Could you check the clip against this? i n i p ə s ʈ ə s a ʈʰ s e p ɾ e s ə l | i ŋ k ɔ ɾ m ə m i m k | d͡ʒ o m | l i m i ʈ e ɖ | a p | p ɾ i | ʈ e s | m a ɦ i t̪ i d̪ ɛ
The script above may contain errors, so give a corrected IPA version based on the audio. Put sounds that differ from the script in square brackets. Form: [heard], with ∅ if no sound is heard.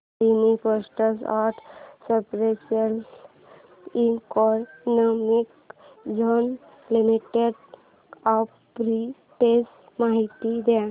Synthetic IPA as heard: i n i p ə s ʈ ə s a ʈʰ s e p ɾ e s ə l | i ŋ k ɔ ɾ [n] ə m i [∅] k | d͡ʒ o [n] | l i m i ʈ e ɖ | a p | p ɾ i | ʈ e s | m a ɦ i t̪ i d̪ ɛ